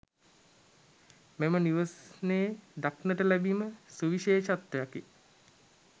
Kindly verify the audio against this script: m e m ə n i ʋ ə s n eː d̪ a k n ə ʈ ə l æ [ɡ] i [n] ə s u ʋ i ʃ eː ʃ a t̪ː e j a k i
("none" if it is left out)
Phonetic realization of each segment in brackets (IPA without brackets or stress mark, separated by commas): b, m